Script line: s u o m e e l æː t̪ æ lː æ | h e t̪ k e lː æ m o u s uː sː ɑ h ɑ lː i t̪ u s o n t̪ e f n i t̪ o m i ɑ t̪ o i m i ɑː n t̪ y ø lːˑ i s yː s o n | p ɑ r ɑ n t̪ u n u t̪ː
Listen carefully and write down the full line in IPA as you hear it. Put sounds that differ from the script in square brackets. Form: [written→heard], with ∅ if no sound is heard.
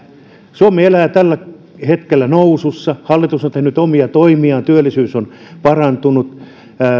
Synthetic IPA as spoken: s u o m e e l æː t̪ æ lː æ | h e t̪ k e lː æ [m→n] o u s [uː→u] sː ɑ h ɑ lː i t̪ u s o n t̪ e [f→h] n [i→y] t̪ o m i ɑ t̪ o i m i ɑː n t̪ y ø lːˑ i s yː s o n | p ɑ r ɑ n t̪ u n u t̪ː